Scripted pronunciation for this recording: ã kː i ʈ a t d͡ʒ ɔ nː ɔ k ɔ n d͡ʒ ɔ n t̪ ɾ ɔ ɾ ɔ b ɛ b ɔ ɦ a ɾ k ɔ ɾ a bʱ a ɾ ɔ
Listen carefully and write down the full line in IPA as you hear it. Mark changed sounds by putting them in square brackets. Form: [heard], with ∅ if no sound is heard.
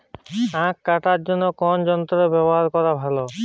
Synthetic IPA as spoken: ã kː [a] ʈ a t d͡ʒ ɔ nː ɔ k ɔ n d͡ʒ ɔ n t̪ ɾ ɔ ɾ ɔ b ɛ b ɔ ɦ a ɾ k ɔ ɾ a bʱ a [l] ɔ